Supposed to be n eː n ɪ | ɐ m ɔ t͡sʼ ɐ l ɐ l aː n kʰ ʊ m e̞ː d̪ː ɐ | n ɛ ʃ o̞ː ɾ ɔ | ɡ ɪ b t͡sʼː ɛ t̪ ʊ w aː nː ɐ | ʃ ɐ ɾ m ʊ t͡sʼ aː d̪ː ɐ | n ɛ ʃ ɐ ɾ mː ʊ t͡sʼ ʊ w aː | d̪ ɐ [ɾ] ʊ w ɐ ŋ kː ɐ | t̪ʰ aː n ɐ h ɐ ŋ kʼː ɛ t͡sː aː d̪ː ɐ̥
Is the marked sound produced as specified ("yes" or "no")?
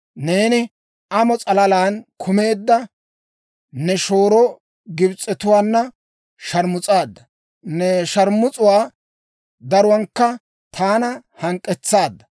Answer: yes